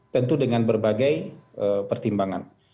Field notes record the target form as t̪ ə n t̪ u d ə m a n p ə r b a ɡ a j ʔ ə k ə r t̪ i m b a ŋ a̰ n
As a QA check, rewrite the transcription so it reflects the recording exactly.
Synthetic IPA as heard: t̪ ə n t̪ u d ə ŋ a n b ə r b a ɡ a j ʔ ə p ə r t̪ i m b a ŋ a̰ n